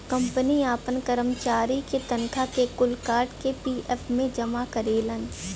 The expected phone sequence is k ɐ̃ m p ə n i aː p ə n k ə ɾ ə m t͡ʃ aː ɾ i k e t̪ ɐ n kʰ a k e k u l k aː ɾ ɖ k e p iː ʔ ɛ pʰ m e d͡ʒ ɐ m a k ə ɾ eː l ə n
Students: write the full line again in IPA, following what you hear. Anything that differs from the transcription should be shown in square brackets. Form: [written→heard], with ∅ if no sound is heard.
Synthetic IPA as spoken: k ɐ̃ m p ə n i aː p ə n k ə ɾ ə m t͡ʃ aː ɾ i k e t̪ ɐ n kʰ a k e k [u→ʊ] l k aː ɾ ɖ k e p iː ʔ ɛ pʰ m [e→ẽ] d͡ʒ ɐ m a k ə ɾ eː l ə n